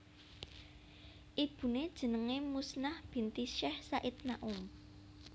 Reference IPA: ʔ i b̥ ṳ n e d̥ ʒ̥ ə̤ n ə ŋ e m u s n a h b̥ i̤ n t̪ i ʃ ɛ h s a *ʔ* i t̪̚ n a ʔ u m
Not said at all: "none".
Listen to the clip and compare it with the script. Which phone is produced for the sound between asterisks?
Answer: ʔ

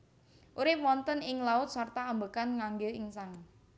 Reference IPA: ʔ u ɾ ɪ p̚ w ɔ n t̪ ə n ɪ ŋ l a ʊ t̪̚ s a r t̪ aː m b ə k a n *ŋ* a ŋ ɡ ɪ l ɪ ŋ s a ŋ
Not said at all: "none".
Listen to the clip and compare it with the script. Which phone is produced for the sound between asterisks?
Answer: ŋ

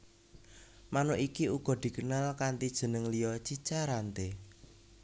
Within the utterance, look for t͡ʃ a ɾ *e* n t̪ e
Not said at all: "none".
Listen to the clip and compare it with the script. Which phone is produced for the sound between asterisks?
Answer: a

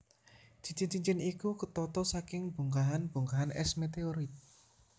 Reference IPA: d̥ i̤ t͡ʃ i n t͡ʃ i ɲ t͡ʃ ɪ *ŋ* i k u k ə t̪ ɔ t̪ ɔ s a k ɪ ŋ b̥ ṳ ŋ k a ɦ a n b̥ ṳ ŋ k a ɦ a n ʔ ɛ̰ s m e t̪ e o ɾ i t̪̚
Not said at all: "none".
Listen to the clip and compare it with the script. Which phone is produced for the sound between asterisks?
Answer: n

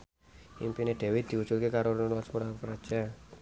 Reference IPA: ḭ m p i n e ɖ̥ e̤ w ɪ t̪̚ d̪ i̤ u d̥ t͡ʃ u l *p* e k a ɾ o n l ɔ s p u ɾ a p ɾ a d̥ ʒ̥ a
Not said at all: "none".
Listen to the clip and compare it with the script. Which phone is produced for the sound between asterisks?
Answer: k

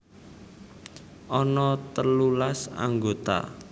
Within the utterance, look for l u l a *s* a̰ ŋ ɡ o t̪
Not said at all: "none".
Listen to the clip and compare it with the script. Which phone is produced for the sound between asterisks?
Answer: s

